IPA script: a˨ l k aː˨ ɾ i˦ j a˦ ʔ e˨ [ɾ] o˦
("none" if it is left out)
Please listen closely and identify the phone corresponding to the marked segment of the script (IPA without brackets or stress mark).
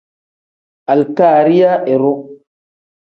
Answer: ɾ